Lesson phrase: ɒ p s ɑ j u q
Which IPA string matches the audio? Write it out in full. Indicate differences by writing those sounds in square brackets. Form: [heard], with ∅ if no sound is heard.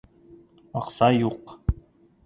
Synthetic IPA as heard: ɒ [q] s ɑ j u q